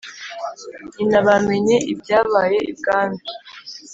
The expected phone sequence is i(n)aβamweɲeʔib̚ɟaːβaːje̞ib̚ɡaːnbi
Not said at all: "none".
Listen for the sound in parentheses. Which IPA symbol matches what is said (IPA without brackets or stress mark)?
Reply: n